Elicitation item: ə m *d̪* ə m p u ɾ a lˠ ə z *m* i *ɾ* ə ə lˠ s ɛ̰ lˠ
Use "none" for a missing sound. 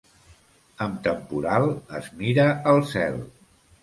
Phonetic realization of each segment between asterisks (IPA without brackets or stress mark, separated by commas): t̪, m, ɾ